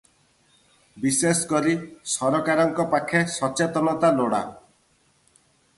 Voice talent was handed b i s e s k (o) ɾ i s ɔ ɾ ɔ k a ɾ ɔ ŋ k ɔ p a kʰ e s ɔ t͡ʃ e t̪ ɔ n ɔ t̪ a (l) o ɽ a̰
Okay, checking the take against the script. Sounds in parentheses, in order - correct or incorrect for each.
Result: incorrect: ɔ, correct

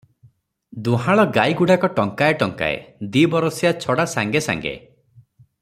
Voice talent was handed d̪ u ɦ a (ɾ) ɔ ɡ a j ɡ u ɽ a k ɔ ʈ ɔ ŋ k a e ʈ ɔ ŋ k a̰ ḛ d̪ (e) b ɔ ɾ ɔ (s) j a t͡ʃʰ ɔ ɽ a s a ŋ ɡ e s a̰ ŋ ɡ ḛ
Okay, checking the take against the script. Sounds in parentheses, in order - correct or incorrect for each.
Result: incorrect: ɭ, incorrect: i, correct

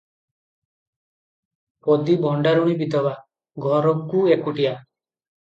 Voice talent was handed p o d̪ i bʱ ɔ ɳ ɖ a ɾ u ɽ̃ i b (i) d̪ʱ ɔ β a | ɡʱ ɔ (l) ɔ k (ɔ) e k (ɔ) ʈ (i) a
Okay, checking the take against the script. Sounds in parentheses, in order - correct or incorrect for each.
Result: correct, incorrect: ɾ, incorrect: u, incorrect: u, correct

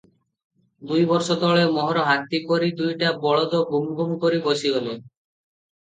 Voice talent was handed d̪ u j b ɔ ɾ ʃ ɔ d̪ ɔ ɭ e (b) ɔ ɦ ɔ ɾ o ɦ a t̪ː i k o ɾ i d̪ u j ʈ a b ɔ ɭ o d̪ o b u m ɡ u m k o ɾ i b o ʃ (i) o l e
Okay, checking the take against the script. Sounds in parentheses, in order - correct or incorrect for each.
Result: incorrect: m, correct

